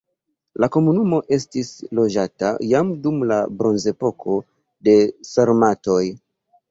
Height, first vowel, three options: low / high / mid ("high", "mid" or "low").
low